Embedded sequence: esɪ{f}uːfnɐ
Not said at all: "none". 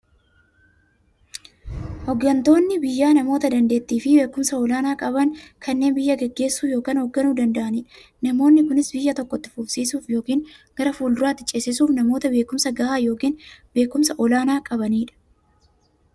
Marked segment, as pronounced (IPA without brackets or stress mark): s